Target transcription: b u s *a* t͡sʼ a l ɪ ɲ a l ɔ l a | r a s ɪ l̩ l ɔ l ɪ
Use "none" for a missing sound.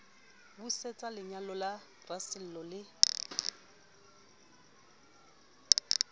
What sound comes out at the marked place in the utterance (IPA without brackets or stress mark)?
e